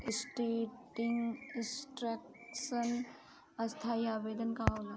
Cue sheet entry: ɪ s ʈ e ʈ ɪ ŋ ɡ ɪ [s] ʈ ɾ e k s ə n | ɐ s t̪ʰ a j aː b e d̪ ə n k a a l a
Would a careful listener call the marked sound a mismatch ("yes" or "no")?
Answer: no